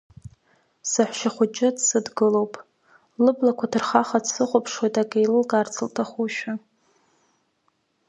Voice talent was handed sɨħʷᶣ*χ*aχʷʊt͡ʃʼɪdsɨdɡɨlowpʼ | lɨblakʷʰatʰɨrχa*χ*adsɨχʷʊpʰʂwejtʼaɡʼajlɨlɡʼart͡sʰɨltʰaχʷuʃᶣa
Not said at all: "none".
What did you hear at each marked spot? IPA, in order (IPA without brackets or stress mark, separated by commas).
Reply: ʃ, χ